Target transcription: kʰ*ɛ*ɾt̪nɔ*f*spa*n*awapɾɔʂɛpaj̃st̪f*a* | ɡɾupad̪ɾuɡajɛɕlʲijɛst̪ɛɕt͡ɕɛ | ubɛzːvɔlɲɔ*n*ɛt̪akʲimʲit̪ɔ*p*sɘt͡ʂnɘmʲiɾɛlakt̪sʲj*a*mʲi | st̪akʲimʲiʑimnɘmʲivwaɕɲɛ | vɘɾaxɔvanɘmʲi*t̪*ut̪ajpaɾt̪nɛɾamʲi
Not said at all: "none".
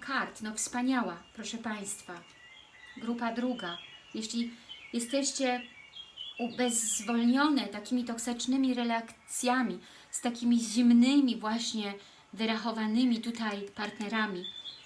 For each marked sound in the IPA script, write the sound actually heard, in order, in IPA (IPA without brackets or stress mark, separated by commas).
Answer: a, f, ɲ, a, n, k, a, t̪